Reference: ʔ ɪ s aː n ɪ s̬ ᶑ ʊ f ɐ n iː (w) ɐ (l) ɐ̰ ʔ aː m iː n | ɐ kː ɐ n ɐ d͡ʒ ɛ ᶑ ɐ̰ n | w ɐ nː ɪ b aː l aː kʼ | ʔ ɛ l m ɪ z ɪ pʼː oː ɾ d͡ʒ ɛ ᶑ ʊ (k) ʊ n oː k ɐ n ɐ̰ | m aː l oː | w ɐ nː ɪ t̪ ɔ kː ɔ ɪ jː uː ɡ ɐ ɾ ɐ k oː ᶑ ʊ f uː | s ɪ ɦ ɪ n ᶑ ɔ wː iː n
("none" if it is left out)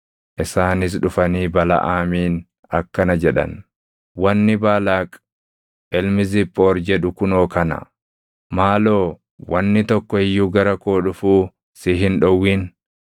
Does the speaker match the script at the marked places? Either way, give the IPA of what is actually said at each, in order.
b, l, k

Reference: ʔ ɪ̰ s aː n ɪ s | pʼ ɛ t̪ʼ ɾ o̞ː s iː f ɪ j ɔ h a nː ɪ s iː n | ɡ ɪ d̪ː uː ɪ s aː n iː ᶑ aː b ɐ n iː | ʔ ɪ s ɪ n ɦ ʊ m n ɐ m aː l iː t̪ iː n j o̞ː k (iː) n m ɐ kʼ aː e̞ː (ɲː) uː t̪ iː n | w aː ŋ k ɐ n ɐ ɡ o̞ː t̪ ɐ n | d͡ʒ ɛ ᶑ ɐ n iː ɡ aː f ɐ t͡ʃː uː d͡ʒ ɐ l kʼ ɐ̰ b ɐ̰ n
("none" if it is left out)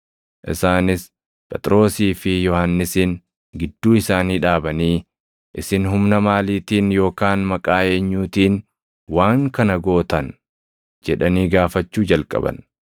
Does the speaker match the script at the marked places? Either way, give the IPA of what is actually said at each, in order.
aː, ɲː

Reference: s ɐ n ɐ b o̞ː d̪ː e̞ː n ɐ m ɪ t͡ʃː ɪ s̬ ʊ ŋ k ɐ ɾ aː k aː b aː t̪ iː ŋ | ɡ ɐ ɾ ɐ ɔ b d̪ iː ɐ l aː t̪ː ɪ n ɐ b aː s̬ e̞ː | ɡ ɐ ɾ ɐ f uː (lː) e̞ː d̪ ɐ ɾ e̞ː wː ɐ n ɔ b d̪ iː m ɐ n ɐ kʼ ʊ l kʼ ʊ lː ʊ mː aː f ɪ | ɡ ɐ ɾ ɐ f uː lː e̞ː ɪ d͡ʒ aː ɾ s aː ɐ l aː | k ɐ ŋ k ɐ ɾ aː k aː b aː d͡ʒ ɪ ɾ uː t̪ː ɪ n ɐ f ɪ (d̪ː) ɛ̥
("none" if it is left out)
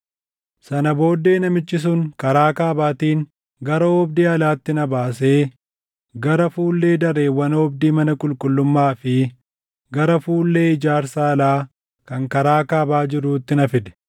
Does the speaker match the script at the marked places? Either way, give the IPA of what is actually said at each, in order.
lː, d̪

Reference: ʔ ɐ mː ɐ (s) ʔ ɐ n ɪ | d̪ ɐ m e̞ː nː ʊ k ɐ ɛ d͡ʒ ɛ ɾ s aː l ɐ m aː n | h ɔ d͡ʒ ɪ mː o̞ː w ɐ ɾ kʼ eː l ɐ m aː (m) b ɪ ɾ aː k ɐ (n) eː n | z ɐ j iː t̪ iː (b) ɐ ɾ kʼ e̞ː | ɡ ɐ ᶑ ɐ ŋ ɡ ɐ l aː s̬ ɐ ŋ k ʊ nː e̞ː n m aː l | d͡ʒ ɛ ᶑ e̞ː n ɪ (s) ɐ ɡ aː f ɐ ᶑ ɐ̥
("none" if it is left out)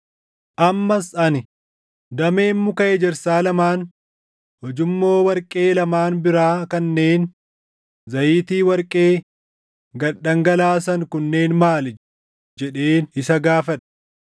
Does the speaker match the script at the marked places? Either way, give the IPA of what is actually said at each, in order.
s, n, nː, w, s

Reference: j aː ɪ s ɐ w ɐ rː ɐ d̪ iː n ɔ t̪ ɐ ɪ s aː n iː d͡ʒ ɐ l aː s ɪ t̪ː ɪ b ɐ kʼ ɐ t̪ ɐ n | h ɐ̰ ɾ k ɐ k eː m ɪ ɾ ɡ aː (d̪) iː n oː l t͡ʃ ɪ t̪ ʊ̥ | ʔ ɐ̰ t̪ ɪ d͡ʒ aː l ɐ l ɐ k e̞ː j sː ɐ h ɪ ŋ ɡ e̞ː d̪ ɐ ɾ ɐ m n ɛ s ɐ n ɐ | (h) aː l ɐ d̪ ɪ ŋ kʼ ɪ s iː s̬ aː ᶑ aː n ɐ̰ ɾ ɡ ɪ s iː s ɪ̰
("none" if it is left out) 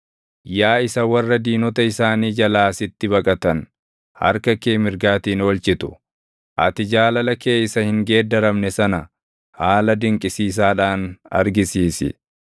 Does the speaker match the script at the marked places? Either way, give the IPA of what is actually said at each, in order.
t̪, h

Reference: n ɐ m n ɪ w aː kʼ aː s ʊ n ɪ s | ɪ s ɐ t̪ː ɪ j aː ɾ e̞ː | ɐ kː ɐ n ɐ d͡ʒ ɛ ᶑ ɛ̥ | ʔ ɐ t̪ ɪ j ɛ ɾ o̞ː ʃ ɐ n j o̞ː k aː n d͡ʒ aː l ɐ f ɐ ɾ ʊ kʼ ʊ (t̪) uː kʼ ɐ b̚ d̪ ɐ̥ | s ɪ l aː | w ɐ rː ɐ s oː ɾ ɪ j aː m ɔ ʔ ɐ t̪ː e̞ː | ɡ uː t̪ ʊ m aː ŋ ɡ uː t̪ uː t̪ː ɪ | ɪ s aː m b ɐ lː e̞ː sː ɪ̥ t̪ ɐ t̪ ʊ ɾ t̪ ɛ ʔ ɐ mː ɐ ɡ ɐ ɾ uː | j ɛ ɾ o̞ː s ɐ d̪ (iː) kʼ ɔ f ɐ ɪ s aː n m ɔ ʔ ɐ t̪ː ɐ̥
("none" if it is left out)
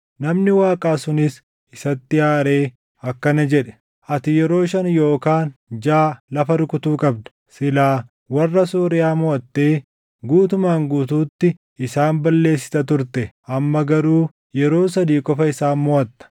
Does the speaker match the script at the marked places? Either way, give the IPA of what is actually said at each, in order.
t̪, iː

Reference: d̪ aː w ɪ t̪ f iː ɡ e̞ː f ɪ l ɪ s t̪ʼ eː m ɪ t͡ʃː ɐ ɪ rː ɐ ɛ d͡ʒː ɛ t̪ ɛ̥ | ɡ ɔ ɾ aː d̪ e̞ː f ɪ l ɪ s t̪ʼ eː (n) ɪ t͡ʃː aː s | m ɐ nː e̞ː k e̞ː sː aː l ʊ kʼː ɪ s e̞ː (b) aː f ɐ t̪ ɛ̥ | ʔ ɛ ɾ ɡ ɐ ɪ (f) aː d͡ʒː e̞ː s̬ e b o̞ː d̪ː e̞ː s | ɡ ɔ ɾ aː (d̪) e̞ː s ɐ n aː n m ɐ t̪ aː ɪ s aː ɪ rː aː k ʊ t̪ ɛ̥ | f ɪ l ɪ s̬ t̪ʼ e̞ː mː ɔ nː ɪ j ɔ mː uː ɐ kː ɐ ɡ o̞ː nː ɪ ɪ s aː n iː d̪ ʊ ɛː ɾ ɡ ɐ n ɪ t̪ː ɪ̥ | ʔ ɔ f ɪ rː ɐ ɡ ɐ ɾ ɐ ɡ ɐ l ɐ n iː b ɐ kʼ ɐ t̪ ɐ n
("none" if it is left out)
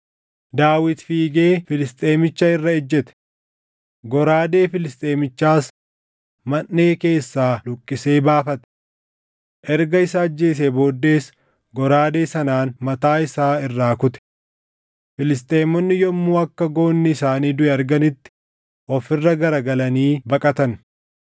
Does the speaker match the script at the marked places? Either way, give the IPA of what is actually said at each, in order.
m, b, s, d̪

